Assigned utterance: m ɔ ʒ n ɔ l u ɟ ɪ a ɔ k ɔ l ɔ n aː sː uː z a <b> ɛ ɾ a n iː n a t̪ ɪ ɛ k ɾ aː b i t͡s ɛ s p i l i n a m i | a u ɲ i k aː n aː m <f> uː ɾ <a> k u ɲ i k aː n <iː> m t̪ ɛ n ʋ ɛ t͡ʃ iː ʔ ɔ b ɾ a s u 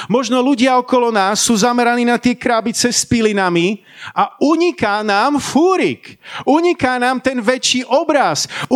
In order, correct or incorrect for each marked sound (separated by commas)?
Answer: incorrect, correct, incorrect, incorrect